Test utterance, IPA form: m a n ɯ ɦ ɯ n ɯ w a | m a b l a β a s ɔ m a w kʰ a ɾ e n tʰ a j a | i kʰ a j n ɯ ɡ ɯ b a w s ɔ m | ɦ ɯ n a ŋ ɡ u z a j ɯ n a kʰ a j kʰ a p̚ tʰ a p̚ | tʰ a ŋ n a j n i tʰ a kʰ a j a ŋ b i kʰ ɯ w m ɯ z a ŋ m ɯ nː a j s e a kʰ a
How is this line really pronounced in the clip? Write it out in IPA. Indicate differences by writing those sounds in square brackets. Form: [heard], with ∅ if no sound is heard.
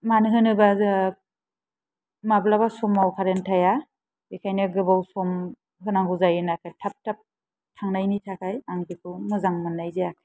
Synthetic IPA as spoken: m a n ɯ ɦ ɯ n ɯ [b] a | m a b l a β a s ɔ m a w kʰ a ɾ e n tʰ a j a | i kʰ a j n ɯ ɡ ɯ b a w s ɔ m | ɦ ɯ n a ŋ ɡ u z a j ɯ n a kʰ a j [tʰ] a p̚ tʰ a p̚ | tʰ a ŋ n a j n i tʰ a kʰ a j a ŋ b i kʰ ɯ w m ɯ z a ŋ m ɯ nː a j [z] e a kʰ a